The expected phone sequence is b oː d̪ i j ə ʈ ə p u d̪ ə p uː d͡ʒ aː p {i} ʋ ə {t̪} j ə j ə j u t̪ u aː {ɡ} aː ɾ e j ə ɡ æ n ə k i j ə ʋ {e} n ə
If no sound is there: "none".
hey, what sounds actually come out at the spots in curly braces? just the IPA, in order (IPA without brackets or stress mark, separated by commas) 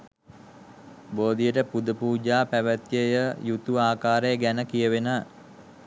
æ, t̪, k, e